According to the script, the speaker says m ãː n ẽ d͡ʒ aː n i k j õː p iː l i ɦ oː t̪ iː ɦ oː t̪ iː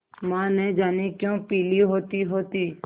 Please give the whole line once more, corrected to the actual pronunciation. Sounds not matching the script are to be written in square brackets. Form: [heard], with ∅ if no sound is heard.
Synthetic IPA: m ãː n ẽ d͡ʒ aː n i k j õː p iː l i ɦ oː t̪ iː ɦ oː t̪ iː